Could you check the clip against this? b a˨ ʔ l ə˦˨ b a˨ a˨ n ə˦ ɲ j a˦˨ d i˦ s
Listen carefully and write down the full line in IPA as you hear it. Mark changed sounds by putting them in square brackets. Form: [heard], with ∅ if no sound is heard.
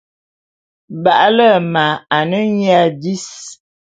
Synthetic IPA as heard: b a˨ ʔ l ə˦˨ [m] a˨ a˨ n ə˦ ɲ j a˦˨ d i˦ s